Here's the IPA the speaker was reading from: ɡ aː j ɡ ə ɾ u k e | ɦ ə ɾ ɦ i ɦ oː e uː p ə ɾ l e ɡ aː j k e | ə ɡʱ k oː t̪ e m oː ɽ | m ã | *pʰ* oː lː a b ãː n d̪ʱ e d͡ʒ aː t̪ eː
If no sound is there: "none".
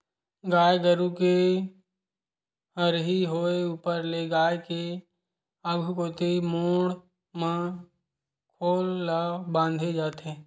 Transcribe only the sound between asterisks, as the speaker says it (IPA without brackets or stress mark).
kʰ